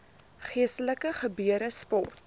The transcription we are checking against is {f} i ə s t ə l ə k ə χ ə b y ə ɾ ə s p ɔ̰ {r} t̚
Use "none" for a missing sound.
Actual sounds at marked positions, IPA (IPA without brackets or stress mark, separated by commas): χ, r